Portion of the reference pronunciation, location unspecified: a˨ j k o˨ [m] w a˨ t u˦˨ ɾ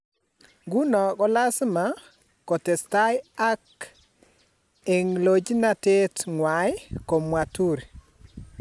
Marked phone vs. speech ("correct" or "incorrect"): correct